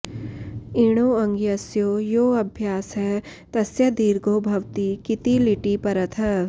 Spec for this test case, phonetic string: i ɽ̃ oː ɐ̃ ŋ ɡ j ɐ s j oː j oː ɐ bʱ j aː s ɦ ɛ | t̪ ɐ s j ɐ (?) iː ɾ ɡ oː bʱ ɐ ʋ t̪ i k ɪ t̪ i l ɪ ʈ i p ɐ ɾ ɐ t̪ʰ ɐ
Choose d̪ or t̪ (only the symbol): d̪